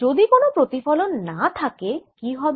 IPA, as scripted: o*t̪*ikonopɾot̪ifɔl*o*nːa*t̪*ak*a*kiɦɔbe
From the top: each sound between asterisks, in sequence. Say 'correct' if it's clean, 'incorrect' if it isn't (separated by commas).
incorrect, correct, incorrect, incorrect